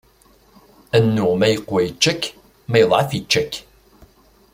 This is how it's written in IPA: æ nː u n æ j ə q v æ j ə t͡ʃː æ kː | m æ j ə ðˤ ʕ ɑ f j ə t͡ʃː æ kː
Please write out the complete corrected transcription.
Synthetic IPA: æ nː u m æ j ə q w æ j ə t͡ʃː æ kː | m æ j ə ðˤ ʕ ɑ f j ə t͡ʃː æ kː

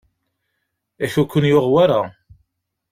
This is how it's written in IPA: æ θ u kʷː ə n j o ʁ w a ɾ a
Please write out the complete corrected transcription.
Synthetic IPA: æ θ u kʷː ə n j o ʁ w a ɾ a

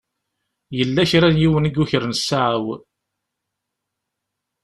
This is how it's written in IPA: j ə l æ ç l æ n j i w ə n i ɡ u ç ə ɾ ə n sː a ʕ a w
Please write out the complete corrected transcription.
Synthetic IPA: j ə lː æ ç ɾ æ n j i w ə n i ɡ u ç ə ɾ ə n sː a ʕ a w

